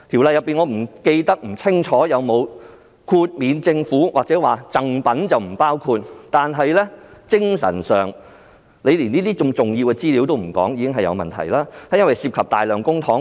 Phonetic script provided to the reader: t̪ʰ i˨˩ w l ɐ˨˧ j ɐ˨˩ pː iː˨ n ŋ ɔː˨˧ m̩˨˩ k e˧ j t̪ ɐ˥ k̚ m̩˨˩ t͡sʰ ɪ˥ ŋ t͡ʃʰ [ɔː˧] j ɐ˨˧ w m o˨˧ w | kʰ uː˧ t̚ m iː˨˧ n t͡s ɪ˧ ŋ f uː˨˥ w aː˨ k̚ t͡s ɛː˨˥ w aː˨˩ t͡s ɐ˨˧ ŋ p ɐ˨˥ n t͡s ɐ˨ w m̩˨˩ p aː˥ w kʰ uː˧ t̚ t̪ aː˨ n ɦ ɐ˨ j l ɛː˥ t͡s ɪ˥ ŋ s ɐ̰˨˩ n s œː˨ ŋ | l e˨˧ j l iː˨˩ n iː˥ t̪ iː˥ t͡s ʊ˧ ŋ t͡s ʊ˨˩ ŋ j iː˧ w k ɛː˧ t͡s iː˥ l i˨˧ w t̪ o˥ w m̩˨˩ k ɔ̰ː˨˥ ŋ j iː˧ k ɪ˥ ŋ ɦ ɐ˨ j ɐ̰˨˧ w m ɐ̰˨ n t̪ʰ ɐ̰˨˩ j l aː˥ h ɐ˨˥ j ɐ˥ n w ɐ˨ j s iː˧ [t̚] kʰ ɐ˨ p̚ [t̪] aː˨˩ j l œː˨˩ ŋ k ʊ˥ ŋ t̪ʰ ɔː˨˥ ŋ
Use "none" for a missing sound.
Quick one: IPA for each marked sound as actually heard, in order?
ɔː˨˥, p̚, t̪

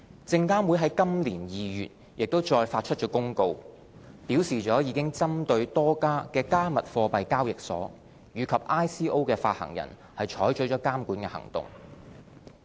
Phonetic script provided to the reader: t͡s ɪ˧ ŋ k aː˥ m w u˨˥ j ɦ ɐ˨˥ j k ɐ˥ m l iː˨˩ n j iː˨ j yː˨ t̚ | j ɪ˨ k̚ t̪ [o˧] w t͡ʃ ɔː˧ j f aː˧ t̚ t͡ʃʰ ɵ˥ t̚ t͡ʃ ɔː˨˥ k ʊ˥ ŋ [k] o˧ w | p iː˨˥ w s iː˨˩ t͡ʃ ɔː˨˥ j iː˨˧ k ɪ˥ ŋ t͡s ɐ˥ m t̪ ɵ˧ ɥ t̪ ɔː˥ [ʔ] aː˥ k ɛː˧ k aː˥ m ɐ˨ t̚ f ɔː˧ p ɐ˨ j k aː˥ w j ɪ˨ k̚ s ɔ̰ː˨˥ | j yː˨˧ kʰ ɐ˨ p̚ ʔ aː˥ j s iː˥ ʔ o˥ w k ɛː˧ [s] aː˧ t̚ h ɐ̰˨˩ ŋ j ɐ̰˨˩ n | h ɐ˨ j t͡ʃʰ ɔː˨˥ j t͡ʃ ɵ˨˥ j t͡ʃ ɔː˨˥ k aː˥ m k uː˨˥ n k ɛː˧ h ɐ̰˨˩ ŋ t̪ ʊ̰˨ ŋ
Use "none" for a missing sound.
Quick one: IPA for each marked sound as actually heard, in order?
o˥, k, k, f

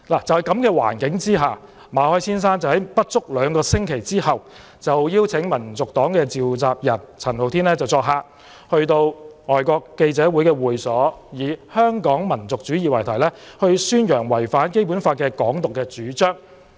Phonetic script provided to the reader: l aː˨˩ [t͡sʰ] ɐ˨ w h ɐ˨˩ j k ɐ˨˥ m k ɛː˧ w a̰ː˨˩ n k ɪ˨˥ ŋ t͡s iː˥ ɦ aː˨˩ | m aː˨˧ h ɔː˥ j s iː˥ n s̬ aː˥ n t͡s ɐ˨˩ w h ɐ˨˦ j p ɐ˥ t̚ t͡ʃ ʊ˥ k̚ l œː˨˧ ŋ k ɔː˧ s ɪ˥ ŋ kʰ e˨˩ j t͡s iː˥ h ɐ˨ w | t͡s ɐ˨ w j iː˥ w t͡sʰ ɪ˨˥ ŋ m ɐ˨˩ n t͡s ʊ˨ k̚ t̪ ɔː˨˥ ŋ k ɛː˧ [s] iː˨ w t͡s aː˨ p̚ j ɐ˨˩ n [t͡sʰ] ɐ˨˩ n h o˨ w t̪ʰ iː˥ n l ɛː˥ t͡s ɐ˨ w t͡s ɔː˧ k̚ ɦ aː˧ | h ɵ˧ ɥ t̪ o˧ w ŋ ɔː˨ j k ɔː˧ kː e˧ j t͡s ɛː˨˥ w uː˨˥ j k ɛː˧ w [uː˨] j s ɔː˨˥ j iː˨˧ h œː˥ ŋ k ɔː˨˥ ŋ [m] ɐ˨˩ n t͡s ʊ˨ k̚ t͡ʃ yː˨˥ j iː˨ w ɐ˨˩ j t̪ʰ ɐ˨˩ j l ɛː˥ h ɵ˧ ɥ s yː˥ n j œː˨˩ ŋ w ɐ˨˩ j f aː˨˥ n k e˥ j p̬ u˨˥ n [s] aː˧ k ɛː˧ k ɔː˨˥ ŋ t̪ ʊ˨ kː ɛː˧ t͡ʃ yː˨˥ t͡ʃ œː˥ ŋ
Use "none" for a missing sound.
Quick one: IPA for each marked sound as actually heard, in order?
t͡s, t͡s, t͡sʰ, uː˨, m, f

